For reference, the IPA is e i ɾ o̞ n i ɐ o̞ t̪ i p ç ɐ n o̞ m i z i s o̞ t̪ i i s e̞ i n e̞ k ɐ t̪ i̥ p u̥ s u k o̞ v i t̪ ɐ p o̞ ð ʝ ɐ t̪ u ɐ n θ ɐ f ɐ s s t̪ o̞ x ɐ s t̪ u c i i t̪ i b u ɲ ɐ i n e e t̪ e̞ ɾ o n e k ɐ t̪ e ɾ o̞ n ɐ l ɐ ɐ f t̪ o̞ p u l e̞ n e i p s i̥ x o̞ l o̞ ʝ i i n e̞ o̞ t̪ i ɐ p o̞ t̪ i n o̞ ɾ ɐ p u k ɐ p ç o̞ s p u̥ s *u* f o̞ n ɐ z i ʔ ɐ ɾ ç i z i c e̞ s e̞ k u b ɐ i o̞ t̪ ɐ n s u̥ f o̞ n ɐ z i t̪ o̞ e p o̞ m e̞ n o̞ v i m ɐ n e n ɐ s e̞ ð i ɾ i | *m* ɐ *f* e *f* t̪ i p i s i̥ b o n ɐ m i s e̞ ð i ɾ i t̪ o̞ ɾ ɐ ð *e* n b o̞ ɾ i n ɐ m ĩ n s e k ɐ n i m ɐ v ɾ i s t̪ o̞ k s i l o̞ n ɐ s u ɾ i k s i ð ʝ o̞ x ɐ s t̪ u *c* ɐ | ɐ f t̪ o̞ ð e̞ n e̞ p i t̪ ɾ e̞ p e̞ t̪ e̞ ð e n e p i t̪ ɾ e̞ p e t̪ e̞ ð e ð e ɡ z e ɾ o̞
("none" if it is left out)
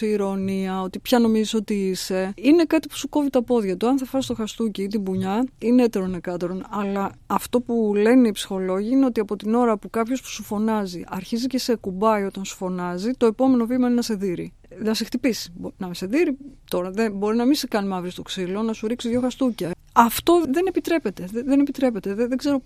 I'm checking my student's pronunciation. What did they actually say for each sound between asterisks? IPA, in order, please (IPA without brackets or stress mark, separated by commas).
u, n, s, x, e, c